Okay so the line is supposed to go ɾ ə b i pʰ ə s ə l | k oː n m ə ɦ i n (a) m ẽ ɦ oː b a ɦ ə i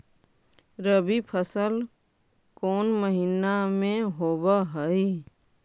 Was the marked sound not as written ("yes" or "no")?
no